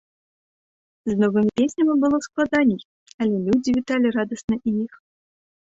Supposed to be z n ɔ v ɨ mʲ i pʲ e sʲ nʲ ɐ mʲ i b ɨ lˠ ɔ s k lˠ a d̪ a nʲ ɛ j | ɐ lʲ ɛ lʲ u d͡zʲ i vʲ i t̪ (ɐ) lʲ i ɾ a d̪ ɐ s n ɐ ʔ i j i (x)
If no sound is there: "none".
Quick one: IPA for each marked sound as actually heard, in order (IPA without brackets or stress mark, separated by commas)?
a, x